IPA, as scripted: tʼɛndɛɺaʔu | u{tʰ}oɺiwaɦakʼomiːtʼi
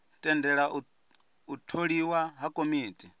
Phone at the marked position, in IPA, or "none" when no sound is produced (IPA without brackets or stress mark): tʰ